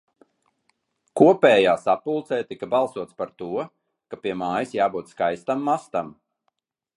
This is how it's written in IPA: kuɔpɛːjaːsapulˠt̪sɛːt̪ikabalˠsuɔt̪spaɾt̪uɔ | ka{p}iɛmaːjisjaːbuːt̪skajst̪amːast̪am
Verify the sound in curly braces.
correct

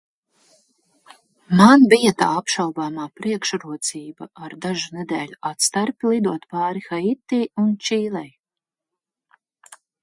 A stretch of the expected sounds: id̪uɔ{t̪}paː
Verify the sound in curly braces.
correct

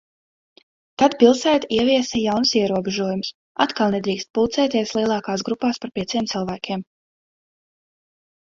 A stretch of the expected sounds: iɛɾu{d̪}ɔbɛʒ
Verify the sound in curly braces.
incorrect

